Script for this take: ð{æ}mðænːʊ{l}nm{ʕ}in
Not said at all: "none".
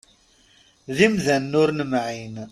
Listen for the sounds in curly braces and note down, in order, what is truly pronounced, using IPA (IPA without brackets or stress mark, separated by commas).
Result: i, ɾ, ʕ